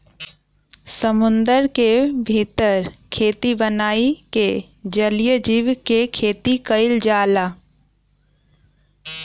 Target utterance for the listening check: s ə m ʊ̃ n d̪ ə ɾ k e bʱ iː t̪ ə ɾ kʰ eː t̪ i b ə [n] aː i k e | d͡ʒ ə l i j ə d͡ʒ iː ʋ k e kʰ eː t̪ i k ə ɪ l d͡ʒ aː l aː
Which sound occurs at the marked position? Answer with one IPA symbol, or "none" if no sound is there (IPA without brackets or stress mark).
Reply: n